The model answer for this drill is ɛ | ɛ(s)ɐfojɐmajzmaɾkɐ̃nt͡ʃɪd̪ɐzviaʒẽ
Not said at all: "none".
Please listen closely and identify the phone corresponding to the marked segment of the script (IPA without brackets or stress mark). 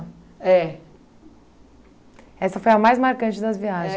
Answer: s